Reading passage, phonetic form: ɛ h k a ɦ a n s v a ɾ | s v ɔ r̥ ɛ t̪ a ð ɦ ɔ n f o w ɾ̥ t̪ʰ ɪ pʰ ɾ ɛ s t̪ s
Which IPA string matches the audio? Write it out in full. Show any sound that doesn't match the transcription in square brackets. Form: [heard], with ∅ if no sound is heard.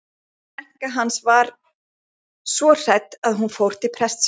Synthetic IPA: ɛ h k a ɦ a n s v a ɾ | s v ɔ r̥ ɛ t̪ a ð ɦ [u] n f o w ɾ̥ [t̪] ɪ pʰ ɾ ɛ s t̪ s